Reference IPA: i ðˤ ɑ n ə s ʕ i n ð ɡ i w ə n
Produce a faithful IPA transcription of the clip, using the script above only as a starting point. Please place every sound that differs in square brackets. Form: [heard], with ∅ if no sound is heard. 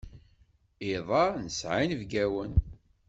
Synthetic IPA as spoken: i ðˤ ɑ n ə s ʕ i n [v] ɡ [æ] w ə n